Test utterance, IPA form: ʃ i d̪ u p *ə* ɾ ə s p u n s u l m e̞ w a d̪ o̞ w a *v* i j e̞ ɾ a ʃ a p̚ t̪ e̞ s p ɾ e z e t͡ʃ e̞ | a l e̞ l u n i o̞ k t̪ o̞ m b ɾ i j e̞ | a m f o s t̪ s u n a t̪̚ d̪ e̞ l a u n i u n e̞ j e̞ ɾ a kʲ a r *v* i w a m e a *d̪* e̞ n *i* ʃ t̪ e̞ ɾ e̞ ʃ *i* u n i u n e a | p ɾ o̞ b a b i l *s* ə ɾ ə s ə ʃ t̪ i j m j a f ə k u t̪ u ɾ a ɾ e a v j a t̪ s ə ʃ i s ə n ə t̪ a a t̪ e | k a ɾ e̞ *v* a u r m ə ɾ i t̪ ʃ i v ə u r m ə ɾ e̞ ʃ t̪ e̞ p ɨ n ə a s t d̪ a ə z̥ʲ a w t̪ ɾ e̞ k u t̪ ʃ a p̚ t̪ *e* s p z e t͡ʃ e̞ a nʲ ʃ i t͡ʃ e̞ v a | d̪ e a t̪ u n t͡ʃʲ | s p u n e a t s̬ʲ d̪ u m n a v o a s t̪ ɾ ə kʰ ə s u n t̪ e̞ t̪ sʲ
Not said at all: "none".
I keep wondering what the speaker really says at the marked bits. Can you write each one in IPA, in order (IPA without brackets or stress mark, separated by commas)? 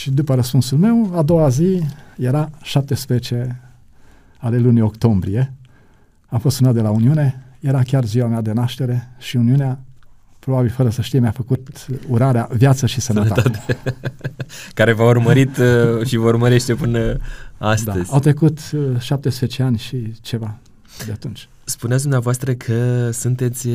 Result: ə, z, z, d̪, a, i, f, v, e